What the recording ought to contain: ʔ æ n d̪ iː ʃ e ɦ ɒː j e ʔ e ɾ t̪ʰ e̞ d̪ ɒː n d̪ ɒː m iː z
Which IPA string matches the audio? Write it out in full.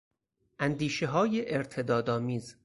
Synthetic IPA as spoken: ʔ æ n d̪ iː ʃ e ɦ ɒː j e ʔ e ɾ t̪ʰ e̞ d̪ ɒː d̪ ɒː m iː z